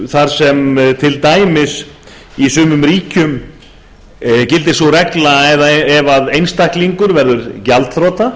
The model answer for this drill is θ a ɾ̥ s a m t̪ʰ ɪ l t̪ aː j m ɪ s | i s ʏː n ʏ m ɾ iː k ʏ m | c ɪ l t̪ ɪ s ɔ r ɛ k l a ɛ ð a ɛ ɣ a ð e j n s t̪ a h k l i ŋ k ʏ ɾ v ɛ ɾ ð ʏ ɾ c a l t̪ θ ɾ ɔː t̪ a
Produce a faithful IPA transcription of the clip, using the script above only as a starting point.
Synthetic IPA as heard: θ a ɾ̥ s ɛ m t̪ʰ ɪ l t̪ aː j m ɪ s | i s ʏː m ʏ m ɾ iː c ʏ m | c ɪ l t̪ ɪ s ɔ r ɛ k l a ɛ ð a ɛ v a ð e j n s t̪ a h k l i ŋ k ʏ ɾ v ɛ ɾ ð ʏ ɾ c a l t̪ θ ɾ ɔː t̪ a